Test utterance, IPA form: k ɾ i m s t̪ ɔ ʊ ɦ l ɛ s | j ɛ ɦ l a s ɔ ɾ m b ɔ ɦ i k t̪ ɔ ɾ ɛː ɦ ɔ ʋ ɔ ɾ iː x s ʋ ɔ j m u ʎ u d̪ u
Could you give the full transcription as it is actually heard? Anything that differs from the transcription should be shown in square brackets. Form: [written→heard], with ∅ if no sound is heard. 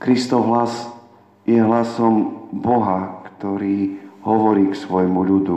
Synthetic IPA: k ɾ i [m→∅] s t̪ ɔ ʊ ɦ l [ɛ→a] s | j ɛ ɦ l a s ɔ [ɾ→∅] m b ɔ ɦ [i→a] k t̪ ɔ ɾ [ɛː→iː] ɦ ɔ ʋ ɔ ɾ iː [x→k] s ʋ ɔ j m u ʎ u d̪ u